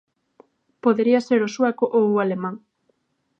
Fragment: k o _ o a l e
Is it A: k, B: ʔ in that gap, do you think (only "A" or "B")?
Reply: B